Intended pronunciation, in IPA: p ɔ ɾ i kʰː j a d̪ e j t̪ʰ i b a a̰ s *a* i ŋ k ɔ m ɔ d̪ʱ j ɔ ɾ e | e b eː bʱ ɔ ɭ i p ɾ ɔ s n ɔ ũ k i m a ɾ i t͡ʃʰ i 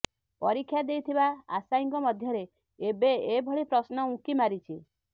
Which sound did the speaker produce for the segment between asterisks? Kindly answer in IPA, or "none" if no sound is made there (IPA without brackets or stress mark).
a